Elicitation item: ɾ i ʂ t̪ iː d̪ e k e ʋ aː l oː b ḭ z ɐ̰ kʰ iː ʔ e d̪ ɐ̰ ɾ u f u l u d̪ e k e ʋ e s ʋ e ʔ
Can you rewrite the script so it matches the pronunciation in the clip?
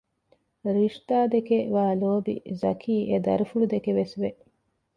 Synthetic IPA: ɾ i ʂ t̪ aː d̪ e k e ʋ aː l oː b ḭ z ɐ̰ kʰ iː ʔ e d̪ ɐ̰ ɾ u f u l u d̪ e k e ʋ e s ʋ e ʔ